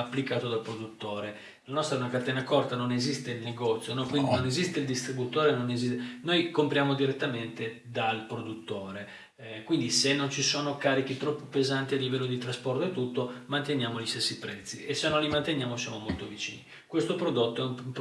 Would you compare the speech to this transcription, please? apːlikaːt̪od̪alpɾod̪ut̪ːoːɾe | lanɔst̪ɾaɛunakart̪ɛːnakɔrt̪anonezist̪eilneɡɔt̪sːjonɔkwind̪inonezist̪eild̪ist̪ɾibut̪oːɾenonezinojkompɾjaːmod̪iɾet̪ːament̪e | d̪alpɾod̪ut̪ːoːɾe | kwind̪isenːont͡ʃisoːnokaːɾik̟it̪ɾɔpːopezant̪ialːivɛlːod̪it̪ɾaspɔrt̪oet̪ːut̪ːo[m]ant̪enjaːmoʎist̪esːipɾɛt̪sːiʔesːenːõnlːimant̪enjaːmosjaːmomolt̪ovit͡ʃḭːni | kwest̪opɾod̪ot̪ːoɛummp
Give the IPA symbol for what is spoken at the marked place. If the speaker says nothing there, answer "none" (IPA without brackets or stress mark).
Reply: m